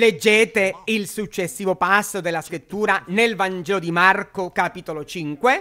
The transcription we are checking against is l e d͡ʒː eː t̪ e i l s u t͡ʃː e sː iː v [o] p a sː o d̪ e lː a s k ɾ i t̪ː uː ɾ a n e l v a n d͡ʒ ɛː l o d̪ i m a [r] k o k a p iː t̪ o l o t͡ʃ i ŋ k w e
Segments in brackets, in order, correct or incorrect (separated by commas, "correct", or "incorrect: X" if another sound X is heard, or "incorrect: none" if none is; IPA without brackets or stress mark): correct, correct